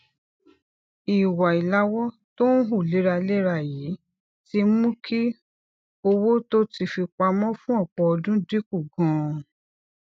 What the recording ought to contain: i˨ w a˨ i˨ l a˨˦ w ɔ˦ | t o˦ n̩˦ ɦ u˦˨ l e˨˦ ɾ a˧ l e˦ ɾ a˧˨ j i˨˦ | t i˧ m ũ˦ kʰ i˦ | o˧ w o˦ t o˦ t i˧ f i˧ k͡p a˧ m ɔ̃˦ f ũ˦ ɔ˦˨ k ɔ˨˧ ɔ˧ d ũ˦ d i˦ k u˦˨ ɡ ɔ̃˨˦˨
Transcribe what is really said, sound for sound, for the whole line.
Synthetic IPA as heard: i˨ w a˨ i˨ l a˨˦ w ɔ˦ | t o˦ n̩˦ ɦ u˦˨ l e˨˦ ɾ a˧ l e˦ ɾ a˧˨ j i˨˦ | t i˧ m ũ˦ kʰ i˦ | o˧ w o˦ t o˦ t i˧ f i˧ k͡p a˧ m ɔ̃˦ f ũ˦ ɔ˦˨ k͡p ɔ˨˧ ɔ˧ d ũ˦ d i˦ k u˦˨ ɡ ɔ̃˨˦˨